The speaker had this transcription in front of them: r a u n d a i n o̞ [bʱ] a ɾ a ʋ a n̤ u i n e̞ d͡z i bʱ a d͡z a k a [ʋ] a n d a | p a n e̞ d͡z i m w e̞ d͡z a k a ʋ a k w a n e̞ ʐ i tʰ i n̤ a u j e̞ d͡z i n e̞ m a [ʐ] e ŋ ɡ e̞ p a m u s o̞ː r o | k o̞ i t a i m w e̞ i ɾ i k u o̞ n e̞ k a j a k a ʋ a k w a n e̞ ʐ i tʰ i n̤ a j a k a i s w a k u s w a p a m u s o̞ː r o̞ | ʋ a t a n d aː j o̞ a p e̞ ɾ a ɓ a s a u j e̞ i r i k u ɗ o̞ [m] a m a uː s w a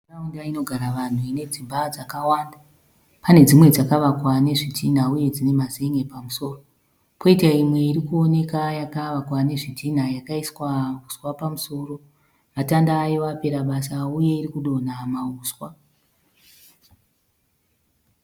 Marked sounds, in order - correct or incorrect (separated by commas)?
incorrect, incorrect, incorrect, incorrect